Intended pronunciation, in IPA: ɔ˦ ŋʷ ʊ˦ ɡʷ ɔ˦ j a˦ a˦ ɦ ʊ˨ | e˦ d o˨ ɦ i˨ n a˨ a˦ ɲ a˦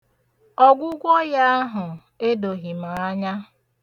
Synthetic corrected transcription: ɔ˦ ɡʷ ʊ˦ ɡʷ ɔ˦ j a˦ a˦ ɦ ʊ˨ | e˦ d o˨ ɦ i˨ m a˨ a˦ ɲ a˦